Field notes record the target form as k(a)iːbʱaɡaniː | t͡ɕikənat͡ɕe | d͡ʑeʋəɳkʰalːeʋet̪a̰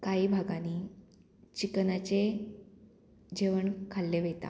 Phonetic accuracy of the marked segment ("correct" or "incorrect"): correct